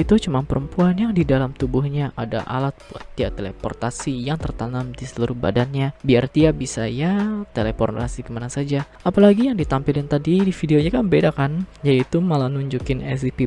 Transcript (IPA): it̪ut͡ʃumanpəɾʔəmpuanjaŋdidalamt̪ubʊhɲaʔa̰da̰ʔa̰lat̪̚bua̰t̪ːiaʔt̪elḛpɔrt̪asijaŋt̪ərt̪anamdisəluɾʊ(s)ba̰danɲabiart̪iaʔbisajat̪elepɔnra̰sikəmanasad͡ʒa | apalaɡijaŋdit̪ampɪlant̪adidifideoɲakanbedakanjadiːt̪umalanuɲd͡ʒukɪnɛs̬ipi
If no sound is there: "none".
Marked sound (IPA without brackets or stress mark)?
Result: h